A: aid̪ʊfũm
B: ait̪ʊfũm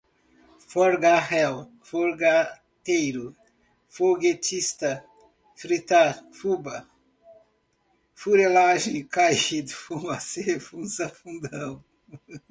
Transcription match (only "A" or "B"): A